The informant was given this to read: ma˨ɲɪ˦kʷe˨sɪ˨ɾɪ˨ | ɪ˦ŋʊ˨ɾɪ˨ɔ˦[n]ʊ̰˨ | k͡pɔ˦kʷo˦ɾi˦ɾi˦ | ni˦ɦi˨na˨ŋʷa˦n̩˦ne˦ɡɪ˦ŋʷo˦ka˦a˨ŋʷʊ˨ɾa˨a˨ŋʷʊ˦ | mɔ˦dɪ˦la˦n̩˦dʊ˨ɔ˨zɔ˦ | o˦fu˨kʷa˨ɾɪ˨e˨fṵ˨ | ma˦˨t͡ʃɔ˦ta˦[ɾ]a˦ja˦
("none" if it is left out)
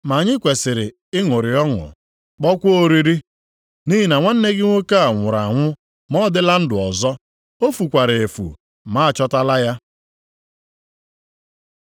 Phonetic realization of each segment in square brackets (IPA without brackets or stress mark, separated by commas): ŋ, l